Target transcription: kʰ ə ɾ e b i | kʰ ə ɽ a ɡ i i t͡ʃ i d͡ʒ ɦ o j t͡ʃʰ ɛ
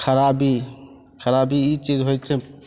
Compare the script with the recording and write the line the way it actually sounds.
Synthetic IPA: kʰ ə ɾ a b i | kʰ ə ɾ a b i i t͡ʃ i d͡ʒ ɦ o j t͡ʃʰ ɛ